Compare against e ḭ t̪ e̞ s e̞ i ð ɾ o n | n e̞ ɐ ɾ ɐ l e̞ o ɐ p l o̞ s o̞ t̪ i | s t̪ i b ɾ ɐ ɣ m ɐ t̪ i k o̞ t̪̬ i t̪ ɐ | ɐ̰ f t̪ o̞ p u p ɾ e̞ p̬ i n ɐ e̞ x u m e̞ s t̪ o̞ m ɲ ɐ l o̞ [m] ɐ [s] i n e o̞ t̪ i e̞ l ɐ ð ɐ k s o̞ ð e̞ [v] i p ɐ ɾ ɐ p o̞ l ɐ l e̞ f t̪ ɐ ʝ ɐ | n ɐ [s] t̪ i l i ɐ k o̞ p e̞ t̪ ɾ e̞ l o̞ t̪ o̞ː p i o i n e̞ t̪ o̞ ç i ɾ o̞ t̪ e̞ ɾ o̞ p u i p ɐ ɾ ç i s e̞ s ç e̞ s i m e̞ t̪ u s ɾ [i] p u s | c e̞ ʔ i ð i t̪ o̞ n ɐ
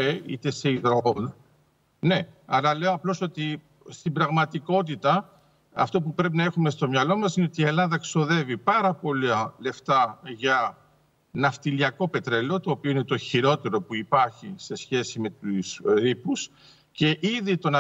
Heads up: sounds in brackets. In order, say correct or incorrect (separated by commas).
correct, correct, correct, incorrect, correct